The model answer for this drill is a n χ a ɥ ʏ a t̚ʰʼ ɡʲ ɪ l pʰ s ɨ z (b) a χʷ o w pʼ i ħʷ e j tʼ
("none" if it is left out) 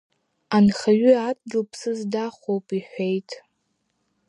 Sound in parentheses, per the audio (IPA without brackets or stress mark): d